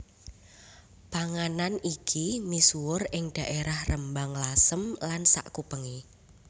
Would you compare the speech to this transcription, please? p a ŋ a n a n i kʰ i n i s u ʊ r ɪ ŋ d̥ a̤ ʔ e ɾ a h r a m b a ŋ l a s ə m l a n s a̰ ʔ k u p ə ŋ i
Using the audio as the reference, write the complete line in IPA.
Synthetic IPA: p a ŋ a n a n i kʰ i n i s u ʊ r ɪ ŋ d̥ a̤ ʔ e ɾ a h r ə m b a ŋ l a s ə m l a n s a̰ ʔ k u p ə ŋ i